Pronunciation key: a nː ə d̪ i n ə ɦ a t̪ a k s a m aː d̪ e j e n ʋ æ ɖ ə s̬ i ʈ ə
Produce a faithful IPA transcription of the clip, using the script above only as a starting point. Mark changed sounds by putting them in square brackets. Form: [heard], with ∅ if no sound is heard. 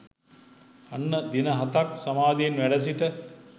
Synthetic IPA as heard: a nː ə d̪ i n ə ɦ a t̪ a k s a m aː d̪ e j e n ʋ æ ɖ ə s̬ i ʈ ə